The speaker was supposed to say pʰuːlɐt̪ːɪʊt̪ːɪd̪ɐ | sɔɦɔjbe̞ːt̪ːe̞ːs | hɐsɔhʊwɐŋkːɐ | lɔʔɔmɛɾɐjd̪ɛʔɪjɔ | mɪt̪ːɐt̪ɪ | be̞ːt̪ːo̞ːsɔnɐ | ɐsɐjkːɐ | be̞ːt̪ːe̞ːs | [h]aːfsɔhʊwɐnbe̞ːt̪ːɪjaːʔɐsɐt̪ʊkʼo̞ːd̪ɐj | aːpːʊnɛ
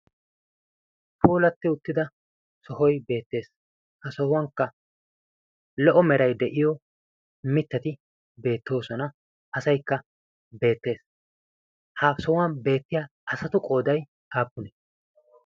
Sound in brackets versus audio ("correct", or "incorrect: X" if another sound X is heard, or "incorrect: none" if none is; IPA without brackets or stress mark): correct